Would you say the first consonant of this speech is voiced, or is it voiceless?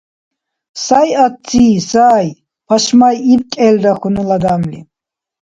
voiceless